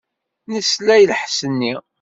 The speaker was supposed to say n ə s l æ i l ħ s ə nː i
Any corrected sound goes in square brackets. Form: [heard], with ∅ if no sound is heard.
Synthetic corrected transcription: n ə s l æ [j] l ħ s ə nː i